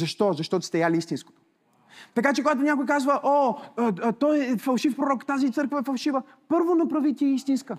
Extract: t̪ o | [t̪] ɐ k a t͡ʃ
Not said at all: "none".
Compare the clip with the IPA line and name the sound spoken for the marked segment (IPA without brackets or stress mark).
t̪